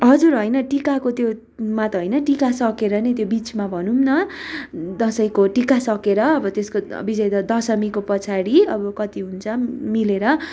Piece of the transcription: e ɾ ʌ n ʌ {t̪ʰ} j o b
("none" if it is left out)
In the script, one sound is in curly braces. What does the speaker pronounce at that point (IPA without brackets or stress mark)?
t̪